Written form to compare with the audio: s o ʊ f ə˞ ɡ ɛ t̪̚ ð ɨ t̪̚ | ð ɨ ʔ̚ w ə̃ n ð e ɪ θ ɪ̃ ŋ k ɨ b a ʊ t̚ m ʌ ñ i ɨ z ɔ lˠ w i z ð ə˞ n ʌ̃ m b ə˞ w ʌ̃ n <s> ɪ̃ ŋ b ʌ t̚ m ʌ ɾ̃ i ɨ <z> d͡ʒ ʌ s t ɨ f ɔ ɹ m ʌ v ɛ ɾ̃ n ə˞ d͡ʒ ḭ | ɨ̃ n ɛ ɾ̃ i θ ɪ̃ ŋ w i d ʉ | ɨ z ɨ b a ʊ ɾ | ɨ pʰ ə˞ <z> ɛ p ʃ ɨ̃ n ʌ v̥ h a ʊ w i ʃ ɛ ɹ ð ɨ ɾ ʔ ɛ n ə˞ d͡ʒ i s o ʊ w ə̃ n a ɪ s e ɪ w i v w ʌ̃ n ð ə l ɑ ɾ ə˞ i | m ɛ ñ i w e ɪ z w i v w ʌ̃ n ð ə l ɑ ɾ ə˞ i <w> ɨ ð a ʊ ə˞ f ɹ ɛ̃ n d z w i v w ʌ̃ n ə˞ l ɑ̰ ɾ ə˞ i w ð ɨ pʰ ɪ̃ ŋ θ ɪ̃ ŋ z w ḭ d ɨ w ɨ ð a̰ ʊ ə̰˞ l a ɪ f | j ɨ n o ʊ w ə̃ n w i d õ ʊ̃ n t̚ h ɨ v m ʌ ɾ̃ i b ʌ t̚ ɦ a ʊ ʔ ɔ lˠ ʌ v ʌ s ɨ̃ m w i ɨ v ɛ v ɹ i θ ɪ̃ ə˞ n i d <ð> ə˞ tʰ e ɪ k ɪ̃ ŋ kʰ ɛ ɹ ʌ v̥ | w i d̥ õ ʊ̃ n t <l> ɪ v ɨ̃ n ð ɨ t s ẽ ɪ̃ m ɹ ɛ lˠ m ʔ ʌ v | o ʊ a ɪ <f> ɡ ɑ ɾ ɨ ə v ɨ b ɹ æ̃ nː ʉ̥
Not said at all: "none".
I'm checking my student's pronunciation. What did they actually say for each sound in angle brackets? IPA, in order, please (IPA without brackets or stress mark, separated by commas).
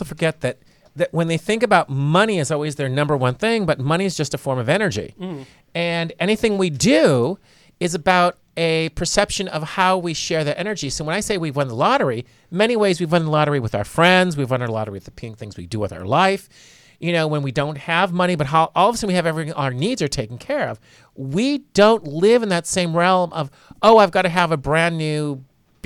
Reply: θ, z, s, w, z, l, v